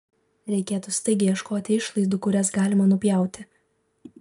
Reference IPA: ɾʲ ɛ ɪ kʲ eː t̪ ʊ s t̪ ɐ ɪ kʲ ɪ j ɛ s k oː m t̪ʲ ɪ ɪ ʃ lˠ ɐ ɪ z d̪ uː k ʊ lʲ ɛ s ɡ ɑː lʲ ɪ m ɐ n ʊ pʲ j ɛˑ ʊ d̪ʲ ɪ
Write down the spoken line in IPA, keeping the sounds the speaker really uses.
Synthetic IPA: ɾʲ ɛ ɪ kʲ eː t̪ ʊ s t̪ ɐ ɪ ɡʲ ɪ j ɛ ʃ k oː t̪ʲ ɪ ɪ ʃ lˠ ɐ ɪ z d̪ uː k ʊ ɾʲ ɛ s ɡ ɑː lʲ ɪ m ɐ n ʊ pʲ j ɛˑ ʊ t̪ʲ ɪ

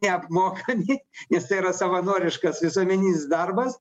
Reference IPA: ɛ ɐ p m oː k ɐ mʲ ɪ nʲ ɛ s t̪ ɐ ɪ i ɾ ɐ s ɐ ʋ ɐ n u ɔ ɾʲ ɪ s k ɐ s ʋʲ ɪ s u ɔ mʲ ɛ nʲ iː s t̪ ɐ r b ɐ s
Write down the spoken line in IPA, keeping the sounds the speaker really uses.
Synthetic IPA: ɛ ɐ p m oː k ɐ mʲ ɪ nʲ ɛ s t̪ ɐ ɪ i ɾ ɐ s ɐ ʋ ɐ n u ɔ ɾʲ ɪ ʃ k ɐ s ʋʲ ɪ s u ɔ mʲ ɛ nʲ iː s d̪ ɐ r b ɐ s

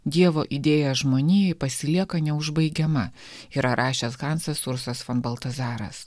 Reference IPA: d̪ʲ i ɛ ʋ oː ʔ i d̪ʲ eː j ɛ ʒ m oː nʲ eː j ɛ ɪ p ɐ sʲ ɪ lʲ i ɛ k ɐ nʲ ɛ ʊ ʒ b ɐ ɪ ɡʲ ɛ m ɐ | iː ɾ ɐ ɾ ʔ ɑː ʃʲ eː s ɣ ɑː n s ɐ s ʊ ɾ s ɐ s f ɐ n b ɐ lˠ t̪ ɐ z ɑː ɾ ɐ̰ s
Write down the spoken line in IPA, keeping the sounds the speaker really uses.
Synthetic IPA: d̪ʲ i ɛ ʋ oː ʔ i d̪ʲ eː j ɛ ʒ m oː nʲ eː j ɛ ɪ p ɐ sʲ ɪ lʲ i ɛ k ɐ nʲ ɛ ʊ ʒ b ɐ ɪ ɡʲ ɛ m ɐ | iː ɾ ɐ ɾ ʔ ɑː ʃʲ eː s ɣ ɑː n s ɐ s ʊ ɾ s ɐ s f ɐ n b ɐ lˠ t̪ ɐ z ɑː ɾ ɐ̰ s

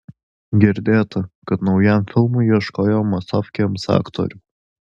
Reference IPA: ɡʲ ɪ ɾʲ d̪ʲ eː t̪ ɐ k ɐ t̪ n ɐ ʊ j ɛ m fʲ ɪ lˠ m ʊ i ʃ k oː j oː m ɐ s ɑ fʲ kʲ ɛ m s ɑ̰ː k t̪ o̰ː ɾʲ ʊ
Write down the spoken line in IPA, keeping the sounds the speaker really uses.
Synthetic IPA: ɡʲ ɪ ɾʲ d̪ʲ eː t̪ ɐ k ɐ t̪ n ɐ ʊ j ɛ m fʲ ɪ lˠ m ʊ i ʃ k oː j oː m ɐ s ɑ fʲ kʲ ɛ m s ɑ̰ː k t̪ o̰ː ɾʲ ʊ

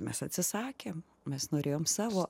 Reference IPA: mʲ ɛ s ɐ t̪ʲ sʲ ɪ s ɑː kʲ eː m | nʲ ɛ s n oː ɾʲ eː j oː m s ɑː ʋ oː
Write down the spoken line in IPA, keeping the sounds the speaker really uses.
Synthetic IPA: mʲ ɛ s ɐ t̪ʲ sʲ ɪ s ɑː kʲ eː m | mʲ ɛ s n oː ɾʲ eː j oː m s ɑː ʋ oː

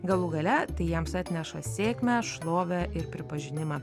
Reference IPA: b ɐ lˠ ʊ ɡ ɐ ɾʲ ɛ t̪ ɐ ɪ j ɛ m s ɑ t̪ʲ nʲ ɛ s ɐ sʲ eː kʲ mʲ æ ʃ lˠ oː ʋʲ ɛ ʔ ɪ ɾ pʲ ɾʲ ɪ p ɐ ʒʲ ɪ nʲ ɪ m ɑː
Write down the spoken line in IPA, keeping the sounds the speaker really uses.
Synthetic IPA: ɡ ɐ lˠ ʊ ɡ ɐ lʲ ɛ t̪ ɐ ɪ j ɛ m s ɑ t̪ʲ nʲ ɛ ʃ ɐ sʲ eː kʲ mʲ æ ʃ lˠ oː ʋʲ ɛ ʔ ɪ ɾ pʲ ɾʲ ɪ p ɐ ʒʲ ɪ nʲ ɪ m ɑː

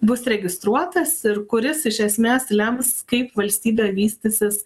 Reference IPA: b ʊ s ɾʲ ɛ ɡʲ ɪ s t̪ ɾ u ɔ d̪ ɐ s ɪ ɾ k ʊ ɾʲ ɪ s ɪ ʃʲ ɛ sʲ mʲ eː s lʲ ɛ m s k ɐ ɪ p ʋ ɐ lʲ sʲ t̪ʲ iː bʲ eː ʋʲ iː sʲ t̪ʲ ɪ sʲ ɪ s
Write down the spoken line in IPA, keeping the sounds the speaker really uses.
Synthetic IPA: b ʊ s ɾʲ ɛ ɡʲ ɪ s t̪ ɾ u ɔ t̪ ɐ s ɪ ɾ k ʊ ɾʲ ɪ s ɪ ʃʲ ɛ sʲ mʲ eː s lʲ ɛ m s k ɐ ɪ p ʋ ɐ lʲ sʲ t̪ʲ iː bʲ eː ʋʲ iː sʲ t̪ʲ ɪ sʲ ɪ s

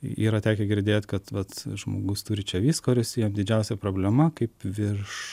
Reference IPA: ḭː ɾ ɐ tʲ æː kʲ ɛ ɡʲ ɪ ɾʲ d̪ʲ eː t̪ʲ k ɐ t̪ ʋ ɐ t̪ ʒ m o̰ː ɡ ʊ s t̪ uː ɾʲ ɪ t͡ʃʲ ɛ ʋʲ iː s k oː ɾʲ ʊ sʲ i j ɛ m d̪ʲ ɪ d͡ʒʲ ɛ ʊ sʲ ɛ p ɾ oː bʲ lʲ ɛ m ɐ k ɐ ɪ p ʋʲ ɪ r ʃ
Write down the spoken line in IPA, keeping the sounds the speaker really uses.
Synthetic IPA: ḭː ɾ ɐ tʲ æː kʲ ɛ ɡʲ ɪ ɾʲ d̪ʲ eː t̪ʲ k ɐ t̪ ʋ ɐ t̪ ʒ m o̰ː ɡ ʊ s t̪ uː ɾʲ ɪ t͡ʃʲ ɛ ʋʲ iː s k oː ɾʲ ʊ sʲ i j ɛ m d̪ʲ ɪ d͡ʒʲ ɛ ʊ sʲ ɛ p ɾ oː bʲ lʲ ɛ m ɐ k ɐ ɪ p ʋʲ ɪ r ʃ

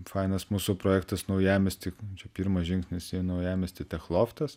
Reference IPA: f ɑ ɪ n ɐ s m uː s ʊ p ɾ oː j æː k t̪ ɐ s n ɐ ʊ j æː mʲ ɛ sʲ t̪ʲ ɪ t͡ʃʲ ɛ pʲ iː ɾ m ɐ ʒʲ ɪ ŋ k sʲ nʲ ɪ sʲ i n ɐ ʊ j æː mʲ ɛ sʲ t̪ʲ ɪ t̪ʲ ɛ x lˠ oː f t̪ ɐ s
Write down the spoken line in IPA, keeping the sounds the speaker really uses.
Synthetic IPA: f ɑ ɪ n ɐ s m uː s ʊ p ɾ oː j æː k t̪ ɐ s n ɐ ʊ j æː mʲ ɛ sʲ t̪ʲ ɪ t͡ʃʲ ɛ pʲ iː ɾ m ɐ ʒʲ ɪ ŋ k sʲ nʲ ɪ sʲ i n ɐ ʊ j æː mʲ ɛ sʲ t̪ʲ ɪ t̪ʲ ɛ x lˠ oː f t̪ ɐ s

